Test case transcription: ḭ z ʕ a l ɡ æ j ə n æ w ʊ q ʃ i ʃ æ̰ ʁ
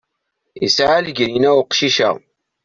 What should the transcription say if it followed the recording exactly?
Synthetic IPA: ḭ s ʕ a l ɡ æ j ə n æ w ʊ q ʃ i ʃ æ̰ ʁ

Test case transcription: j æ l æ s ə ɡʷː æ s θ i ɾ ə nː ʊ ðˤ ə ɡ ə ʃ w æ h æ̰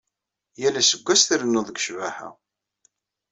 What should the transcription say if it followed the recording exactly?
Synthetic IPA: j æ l æ s ə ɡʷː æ s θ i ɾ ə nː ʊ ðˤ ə ɡ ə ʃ v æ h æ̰

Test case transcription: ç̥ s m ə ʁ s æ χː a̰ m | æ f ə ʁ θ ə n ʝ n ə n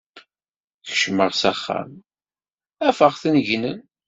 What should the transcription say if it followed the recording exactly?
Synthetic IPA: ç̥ ʃ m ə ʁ s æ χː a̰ m | æ f ə ʁ θ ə n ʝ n ə n

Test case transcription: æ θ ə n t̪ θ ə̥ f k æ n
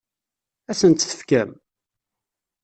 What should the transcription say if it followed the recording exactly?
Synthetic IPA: æ s ə n t̪ θ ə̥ f k æ m

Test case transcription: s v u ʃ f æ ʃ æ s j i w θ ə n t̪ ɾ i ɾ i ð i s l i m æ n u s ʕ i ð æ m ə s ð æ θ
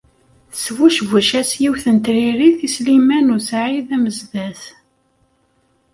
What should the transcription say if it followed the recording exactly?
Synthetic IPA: s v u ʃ v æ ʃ æ s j i w θ ə n t̪ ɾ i ɾ i θ i s l i m æ n u s ʕ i ð æ m ə z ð æ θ

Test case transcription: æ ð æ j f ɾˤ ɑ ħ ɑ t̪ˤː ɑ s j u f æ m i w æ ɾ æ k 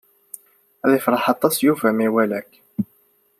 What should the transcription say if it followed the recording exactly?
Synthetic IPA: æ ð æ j f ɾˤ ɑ ħ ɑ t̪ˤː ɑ s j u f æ m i w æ l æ k

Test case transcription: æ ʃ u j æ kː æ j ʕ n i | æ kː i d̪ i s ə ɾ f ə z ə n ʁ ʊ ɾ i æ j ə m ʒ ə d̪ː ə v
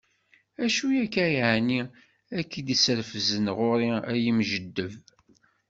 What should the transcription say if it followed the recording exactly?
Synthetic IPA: æ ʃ u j æ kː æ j ʕ n i | æ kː i d̪ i s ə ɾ f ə z ə n ʁ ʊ ɾ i æ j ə m ʒ ə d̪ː ə v

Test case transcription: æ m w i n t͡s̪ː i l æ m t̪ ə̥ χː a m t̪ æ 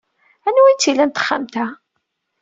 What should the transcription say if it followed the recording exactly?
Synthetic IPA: æ n w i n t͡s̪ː i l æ n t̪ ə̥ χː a m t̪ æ

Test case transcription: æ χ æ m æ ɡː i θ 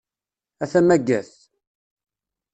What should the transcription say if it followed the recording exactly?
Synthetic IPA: æ θ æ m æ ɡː æ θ

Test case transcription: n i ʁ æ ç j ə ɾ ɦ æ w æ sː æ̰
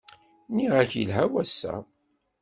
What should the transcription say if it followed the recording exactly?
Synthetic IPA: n i ʁ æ ç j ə l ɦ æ w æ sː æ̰

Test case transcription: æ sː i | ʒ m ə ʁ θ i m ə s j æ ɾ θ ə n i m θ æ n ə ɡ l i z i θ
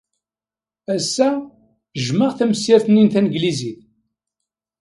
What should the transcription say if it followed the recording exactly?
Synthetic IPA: æ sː æ | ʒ m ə ʁ θ æ m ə s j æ ɾ θ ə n i n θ æ n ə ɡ l i z i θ

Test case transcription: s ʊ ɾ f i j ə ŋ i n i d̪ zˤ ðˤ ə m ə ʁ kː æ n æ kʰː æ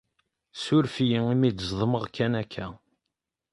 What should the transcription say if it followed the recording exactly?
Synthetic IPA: s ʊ ɾ f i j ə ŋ i m i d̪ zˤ ðˤ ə m ə ʁ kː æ n æ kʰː æ

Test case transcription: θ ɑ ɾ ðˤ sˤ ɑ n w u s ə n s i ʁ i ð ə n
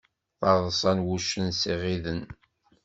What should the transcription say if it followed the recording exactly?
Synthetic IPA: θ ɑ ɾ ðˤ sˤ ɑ n w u ʃ ə n s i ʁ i ð ə n

